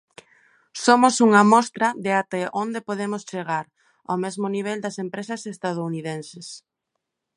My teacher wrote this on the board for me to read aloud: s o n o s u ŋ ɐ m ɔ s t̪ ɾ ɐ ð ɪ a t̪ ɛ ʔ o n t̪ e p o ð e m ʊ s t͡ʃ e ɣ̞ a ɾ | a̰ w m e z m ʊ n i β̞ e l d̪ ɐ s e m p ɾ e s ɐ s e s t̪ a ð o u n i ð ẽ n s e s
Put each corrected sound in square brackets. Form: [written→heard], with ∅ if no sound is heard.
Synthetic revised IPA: s o [n→m] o s u ŋ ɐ m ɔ s t̪ ɾ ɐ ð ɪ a t̪ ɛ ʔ o n [t̪→d̪] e p o ð e m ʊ s t͡ʃ e ɣ̞ a ɾ | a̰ w m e z m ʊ n i β̞ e l d̪ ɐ s e m p ɾ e s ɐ s e s t̪ a ð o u n i ð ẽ n s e s